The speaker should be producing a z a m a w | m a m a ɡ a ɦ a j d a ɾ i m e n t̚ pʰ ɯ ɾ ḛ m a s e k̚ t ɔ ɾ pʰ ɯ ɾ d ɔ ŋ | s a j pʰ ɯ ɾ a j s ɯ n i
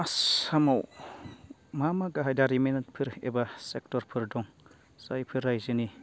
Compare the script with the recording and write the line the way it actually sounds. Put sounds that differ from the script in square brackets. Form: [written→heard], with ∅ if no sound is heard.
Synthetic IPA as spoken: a [z→s] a m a w | m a m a ɡ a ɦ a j d a ɾ i m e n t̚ pʰ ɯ ɾ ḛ [m→b] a s e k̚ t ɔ ɾ pʰ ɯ ɾ d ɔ ŋ | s a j pʰ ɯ ɾ a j [s→z] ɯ n i